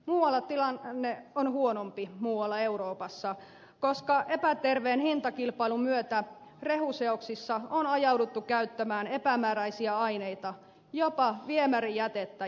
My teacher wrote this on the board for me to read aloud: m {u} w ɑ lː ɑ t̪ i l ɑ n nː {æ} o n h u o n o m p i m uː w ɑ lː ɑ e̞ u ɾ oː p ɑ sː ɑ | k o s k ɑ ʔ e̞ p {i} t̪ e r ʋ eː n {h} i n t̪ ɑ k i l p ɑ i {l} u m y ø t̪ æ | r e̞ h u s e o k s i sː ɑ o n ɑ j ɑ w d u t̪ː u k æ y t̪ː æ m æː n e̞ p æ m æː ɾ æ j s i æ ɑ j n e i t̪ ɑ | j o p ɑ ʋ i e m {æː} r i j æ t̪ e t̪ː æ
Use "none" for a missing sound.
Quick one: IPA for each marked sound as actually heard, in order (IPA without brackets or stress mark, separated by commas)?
uː, e, æ, h, l, æ